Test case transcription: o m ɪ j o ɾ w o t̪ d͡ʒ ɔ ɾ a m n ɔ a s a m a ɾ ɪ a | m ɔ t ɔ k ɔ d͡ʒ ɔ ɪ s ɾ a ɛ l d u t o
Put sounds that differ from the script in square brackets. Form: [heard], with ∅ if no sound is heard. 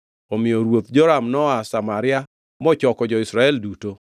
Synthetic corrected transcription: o m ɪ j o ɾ w o t̪ d͡ʒ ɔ ɾ a m n ɔ a s a m a ɾ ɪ a | m ɔ [t͡ʃ] ɔ k ɔ d͡ʒ ɔ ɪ s ɾ a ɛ l d u t o